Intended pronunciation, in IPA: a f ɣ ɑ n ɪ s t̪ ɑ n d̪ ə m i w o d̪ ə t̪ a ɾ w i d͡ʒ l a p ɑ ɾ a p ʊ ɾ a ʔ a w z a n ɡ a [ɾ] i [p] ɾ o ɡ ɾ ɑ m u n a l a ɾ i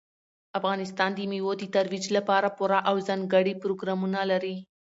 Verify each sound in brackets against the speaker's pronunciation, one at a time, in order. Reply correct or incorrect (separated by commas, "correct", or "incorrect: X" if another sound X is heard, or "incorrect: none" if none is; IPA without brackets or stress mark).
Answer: incorrect: ɽ, correct